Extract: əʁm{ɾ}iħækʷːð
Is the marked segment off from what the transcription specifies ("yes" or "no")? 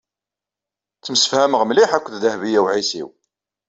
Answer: yes